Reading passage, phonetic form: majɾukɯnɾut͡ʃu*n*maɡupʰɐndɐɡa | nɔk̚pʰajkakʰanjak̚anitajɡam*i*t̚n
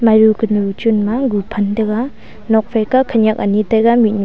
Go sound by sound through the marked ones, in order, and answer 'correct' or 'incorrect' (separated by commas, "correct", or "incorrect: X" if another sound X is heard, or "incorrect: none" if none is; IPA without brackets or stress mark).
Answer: correct, correct